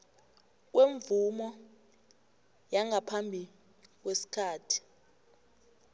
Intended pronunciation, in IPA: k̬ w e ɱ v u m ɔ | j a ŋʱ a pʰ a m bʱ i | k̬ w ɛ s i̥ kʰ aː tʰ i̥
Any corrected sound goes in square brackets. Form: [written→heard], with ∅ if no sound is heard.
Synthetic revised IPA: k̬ w e ɱ v u m ɔ | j a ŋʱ a pʰ a m bʱ i | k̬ w [ɛ→e] s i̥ kʰ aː tʰ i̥